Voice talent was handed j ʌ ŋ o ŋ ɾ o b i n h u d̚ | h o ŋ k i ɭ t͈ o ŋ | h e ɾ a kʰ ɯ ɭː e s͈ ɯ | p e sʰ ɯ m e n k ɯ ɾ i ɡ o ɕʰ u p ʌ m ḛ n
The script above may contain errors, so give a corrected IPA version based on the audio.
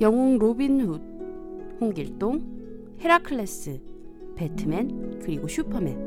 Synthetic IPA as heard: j ʌ ŋ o ŋ ɾ o b i n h u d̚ | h o ŋ ɡ i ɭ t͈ o ŋ | h e ɾ a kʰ ɯ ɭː e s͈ ɯ | p e tʰ ɯ m e n k ɯ ɾ i ɡ o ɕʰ u pʰ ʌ m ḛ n